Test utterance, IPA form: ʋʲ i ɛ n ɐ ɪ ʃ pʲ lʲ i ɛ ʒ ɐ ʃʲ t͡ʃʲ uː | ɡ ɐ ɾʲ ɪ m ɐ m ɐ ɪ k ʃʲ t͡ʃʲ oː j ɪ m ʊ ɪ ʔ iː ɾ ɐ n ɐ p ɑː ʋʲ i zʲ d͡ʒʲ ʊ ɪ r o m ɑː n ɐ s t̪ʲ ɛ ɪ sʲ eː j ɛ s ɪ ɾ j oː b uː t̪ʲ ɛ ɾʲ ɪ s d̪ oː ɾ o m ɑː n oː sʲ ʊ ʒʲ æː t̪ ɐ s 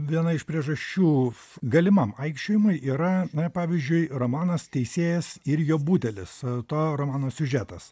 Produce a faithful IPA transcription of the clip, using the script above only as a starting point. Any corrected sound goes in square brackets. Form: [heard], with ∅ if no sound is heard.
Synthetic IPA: ʋʲ i ɛ n ɐ ɪ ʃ pʲ [ɾʲ] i ɛ ʒ ɐ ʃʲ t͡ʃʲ uː | ɡ ɐ [lʲ] ɪ m ɐ m ɐ ɪ k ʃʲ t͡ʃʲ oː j ɪ m ʊ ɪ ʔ iː ɾ ɐ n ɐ p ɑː ʋʲ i zʲ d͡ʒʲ ʊ ɪ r o m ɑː n ɐ s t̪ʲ ɛ ɪ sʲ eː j ɛ s ɪ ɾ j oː b uː t̪ʲ ɛ [lʲ] ɪ s [t̪] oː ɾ o m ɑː n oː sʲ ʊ ʒʲ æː t̪ ɐ s